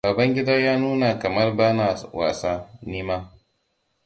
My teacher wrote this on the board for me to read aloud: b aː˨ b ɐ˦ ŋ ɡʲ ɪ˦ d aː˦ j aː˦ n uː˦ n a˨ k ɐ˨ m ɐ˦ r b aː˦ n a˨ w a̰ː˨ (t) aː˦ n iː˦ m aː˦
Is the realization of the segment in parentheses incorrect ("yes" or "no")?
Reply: yes